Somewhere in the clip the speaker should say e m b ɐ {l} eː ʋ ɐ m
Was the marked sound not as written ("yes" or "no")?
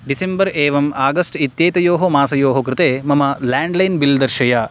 yes